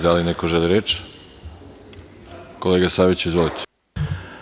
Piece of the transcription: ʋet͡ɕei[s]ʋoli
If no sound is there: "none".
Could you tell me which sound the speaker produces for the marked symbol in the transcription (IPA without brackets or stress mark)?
z